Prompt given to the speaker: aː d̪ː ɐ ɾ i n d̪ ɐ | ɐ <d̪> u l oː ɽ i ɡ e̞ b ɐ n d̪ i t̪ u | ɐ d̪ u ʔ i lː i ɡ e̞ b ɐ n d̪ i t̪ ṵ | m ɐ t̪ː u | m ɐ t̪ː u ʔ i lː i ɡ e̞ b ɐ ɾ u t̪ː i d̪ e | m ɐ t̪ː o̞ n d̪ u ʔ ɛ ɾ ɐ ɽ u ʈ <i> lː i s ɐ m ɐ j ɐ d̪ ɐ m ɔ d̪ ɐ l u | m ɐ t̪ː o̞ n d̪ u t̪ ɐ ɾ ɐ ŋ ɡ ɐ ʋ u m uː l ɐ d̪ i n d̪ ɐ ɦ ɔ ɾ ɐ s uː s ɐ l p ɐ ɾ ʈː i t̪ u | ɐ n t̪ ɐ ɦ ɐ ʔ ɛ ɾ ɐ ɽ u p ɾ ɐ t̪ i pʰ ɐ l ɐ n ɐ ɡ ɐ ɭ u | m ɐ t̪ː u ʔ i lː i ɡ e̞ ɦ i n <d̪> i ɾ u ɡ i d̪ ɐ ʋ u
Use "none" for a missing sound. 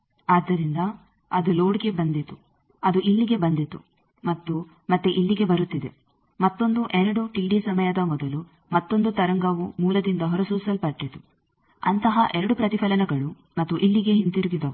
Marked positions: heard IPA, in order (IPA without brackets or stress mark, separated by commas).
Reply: d̪, i, t̪